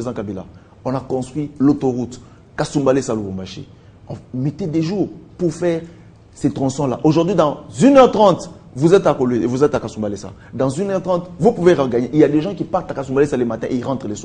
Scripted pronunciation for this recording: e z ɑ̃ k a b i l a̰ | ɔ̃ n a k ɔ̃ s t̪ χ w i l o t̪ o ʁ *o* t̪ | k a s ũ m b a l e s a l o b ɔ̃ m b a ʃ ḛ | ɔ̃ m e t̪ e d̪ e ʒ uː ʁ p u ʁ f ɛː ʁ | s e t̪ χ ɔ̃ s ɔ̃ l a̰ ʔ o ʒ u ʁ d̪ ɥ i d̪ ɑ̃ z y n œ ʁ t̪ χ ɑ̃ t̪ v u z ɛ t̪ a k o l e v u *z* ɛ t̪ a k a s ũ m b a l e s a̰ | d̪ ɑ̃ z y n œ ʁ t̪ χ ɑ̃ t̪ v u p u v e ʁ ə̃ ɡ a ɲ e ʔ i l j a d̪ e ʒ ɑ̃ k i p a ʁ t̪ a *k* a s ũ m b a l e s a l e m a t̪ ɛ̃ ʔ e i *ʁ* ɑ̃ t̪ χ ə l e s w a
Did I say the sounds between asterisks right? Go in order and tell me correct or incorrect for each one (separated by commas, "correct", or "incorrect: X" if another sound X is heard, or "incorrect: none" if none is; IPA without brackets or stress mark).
incorrect: u, correct, correct, correct